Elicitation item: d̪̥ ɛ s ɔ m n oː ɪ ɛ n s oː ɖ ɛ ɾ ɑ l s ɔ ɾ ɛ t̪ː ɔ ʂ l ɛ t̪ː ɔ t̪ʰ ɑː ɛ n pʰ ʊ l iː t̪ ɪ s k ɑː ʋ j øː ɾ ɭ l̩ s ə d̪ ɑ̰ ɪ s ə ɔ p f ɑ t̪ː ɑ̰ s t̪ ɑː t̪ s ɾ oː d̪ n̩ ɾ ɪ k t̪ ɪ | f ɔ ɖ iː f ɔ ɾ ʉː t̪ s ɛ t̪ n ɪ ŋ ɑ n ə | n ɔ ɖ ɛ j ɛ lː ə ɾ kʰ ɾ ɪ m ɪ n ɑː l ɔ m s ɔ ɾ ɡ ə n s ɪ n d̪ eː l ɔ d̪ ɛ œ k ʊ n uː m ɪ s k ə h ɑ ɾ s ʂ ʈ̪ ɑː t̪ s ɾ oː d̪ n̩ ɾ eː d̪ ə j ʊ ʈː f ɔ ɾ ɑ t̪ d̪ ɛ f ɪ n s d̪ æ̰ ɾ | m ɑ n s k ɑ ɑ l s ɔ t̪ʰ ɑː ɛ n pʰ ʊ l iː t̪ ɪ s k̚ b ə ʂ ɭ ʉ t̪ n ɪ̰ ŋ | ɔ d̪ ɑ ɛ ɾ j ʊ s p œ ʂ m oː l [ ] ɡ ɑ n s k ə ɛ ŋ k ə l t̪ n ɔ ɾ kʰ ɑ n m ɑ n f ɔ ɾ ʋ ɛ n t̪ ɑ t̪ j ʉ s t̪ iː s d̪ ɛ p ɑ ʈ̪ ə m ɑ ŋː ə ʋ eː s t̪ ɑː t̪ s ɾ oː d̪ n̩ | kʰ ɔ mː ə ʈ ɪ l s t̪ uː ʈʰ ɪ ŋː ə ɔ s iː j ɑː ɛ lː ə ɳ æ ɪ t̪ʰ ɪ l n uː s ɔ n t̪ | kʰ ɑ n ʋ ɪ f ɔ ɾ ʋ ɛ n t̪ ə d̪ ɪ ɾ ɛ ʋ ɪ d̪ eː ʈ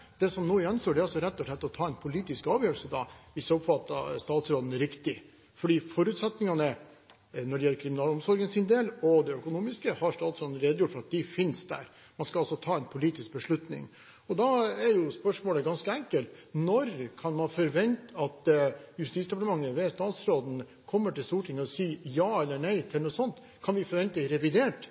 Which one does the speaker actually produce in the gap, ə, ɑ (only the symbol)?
ə